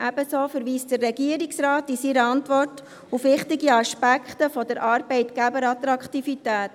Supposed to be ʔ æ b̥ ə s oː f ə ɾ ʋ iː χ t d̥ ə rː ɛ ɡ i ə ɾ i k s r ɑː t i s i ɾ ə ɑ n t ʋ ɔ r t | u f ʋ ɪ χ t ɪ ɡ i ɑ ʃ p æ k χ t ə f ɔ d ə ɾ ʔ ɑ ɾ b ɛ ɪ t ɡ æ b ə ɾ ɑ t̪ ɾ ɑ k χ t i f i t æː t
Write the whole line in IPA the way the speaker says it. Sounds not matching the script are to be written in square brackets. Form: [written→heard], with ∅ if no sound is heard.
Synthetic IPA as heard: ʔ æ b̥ ə s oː f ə ɾ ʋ iː [χ→s] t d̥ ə rː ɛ ɡ i ə ɾ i k s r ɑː t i s i ɾ ə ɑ n t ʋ ɔ r t | u f ʋ ɪ χ t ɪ ɡ i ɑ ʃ p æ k χ t ə f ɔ d ə ɾ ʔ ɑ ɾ b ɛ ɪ t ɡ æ b ə ɾ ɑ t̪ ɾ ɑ k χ t i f i t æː t